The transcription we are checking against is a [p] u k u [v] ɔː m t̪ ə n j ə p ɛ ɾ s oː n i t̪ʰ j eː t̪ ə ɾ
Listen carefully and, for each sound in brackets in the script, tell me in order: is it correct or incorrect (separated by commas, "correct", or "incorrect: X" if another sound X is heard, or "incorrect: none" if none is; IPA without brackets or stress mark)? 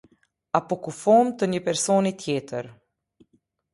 correct, incorrect: f